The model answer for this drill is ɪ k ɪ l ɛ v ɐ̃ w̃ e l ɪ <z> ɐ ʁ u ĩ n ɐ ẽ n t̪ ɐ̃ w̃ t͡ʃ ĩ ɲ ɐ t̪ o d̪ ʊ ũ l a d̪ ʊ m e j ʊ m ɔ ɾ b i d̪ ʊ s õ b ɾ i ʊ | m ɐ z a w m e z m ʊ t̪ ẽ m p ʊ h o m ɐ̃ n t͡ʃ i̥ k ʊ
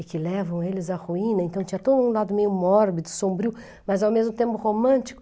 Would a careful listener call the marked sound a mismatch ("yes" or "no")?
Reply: no